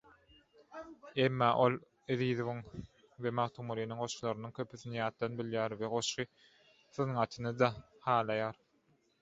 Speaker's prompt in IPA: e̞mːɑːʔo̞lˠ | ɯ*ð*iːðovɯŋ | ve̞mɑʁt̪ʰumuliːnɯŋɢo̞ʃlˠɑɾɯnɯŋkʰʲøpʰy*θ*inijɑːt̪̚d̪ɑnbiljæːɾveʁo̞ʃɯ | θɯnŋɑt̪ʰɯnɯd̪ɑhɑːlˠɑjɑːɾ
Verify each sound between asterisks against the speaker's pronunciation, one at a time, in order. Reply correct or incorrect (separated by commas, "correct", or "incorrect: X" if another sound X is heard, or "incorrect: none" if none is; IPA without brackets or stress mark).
correct, correct